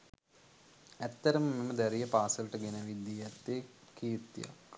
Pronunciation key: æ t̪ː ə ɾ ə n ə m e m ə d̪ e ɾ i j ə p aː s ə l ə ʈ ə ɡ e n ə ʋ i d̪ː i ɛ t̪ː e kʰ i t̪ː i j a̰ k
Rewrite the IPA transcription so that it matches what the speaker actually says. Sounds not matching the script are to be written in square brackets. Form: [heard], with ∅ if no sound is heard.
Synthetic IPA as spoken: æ t̪ː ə ɾ ə [m] ə m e m ə d̪ [æ] ɾ i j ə p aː s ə l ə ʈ ə ɡ e n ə ʋ i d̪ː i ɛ t̪ː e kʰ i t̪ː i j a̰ k